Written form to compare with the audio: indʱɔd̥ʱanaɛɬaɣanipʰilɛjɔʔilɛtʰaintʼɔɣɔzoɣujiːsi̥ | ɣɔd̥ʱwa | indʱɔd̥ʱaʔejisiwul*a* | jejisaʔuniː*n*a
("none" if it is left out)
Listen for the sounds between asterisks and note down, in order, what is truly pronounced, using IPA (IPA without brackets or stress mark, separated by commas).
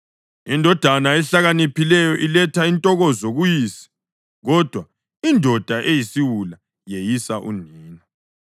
a, n